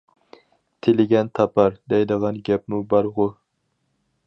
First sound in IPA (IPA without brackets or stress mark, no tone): t̪ʰ